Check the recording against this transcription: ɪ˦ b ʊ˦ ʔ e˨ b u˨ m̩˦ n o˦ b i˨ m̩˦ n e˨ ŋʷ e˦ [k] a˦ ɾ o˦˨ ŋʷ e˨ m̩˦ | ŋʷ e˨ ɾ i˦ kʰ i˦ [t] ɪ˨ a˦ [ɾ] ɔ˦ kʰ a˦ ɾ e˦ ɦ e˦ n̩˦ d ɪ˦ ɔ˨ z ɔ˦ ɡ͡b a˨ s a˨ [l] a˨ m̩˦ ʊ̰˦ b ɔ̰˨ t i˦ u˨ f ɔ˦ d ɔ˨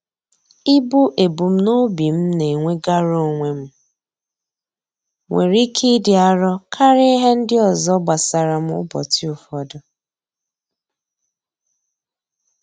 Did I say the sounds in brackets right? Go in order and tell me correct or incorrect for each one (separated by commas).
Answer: incorrect, incorrect, correct, incorrect